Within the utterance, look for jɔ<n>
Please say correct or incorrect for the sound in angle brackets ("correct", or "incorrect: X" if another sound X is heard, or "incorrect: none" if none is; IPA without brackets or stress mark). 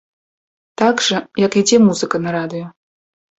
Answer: incorrect: none